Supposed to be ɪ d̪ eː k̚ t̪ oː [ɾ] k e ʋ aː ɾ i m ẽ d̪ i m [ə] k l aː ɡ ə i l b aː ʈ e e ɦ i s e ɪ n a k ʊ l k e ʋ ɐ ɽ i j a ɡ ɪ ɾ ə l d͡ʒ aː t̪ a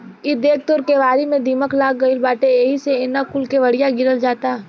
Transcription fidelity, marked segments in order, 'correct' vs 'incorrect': correct, correct

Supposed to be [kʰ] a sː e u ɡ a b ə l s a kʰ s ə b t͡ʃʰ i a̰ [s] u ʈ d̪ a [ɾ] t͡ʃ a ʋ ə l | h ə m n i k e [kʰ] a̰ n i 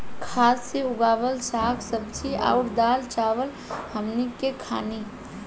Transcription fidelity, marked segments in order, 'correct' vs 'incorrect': correct, incorrect: none, incorrect: l, correct

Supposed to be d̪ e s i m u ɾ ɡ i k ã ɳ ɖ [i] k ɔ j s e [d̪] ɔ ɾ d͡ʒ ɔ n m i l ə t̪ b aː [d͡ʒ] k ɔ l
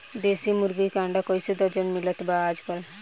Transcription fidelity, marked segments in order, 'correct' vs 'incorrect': incorrect: a, correct, correct

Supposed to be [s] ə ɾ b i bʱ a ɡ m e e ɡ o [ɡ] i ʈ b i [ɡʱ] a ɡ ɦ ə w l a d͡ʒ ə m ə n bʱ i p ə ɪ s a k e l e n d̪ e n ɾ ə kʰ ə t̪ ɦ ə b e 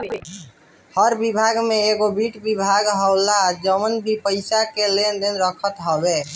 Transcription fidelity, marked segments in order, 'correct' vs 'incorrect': incorrect: h, incorrect: b, incorrect: bʱ

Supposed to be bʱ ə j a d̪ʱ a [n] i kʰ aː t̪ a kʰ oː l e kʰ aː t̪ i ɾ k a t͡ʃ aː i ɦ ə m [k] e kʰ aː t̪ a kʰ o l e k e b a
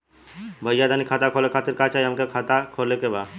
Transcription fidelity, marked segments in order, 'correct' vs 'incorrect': correct, correct

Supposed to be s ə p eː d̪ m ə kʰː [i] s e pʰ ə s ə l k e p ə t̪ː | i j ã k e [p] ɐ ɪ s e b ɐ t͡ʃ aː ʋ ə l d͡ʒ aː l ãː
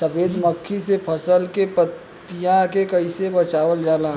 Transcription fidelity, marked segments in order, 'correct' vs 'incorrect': correct, incorrect: k

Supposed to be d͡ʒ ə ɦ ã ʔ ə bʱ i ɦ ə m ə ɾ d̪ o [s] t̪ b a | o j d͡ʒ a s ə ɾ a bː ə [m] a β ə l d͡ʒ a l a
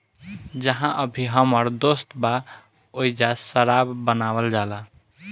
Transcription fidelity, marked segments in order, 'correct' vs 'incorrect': correct, incorrect: n

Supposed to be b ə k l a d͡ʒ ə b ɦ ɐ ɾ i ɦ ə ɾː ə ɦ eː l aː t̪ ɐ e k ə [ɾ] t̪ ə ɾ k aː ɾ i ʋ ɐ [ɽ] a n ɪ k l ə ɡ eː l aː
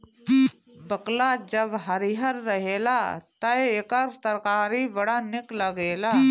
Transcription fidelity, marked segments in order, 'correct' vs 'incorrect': correct, correct

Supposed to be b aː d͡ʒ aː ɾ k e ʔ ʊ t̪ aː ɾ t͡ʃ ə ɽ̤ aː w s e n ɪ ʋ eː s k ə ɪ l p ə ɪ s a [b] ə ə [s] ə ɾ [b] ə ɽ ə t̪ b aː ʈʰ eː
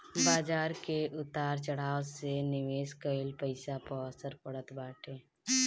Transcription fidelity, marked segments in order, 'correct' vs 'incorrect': incorrect: p, correct, incorrect: p

